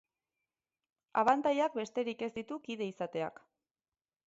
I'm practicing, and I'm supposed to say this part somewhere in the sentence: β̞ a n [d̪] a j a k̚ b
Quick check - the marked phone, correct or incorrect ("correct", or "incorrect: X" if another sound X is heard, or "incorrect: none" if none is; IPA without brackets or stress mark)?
incorrect: t̪